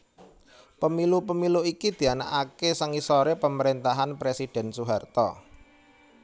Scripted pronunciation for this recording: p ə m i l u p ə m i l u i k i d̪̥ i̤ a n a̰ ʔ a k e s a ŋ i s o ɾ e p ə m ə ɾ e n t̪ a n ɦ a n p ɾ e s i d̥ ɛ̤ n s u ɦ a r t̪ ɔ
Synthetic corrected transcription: p ə m i l u p ə m i l u i k i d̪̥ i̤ a n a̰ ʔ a k e s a ŋ i s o ɾ e p ə m ə ɾ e n t̪ a ɦ a n p ɾ e s i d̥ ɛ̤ n s u ɦ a r t̪ ɔ